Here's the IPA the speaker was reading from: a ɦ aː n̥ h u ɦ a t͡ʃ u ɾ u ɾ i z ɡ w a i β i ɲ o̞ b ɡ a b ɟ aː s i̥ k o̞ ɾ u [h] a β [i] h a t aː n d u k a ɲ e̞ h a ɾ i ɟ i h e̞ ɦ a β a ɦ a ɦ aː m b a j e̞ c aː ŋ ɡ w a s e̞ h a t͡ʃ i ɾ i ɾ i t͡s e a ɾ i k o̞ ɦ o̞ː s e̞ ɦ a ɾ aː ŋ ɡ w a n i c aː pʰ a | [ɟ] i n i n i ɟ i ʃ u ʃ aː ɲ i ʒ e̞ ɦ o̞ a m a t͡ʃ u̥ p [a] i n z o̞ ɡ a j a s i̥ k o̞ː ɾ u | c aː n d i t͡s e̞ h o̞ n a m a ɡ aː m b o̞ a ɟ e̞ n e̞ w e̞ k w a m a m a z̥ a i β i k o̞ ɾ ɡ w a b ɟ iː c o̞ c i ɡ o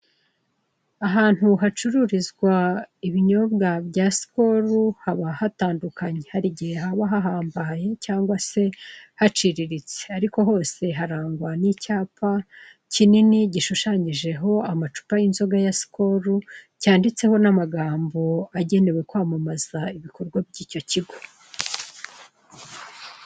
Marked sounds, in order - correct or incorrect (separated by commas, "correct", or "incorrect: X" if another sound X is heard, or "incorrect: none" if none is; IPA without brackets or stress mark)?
correct, incorrect: a, incorrect: c, correct